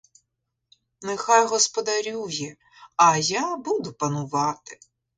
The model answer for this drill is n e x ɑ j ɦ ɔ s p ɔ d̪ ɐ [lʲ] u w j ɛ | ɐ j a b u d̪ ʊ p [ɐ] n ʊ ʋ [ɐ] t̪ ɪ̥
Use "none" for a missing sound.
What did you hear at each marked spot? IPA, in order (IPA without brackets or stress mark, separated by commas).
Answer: ɾʲ, ɐ, ɑ